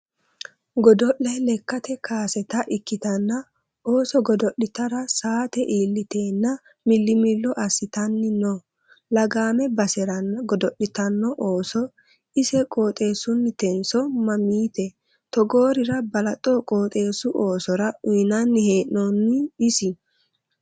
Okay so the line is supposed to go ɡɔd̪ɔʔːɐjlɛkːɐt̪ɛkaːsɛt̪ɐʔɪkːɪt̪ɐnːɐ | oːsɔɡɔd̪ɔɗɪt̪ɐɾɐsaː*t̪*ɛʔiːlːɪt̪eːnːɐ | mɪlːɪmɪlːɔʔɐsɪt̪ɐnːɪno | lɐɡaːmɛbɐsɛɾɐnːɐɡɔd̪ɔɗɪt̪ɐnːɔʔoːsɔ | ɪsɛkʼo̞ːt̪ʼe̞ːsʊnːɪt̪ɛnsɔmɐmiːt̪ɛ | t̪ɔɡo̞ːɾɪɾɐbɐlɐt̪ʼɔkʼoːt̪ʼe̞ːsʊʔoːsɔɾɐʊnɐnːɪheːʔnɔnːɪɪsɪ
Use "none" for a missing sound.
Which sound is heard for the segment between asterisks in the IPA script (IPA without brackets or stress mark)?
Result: t̪